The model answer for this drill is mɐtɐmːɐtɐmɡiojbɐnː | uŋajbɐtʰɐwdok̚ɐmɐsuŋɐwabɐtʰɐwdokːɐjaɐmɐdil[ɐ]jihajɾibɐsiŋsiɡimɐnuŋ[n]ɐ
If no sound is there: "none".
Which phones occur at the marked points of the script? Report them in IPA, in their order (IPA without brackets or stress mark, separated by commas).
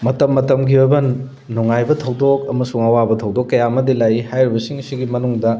a, d